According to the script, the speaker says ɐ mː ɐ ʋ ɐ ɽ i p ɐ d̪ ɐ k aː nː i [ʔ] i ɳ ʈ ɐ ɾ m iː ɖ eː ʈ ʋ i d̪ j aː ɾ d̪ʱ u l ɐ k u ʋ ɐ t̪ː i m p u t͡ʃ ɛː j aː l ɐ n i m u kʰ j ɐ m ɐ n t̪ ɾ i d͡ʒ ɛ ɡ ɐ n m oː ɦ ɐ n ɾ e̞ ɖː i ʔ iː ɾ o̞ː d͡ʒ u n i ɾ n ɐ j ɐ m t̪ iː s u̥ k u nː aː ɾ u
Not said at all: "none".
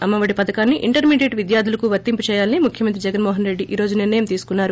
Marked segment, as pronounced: ʔ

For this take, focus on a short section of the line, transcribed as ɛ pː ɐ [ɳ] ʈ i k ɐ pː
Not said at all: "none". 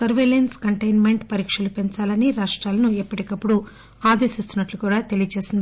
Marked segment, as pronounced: none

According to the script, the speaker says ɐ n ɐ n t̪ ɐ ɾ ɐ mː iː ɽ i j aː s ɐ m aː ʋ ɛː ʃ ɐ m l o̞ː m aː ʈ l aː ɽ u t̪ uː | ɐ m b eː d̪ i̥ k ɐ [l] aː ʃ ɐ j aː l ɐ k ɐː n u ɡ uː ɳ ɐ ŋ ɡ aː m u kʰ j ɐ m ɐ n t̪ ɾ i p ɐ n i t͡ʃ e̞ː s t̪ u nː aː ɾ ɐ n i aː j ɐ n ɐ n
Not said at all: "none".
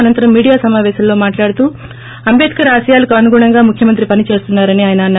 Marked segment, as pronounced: ɾ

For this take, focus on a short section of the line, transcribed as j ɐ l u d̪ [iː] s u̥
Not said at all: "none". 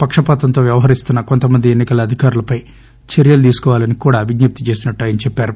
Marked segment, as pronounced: iː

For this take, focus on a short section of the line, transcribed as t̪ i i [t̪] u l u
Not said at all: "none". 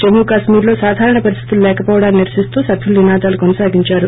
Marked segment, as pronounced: t̪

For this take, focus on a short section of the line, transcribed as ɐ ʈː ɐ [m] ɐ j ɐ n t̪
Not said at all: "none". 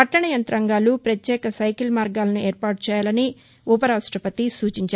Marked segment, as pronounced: ɳ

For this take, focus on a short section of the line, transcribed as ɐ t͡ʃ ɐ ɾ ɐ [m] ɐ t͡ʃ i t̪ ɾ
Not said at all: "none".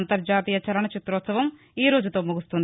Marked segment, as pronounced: ɳ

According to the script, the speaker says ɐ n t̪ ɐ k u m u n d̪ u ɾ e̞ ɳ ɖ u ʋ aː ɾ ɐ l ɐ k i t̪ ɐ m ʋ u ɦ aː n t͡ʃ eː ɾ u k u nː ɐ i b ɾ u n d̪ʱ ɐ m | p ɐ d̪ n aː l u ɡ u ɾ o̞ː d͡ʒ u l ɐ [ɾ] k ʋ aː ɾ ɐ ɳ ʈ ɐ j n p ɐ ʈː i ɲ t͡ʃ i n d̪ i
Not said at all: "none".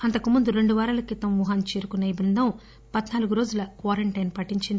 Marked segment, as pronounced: none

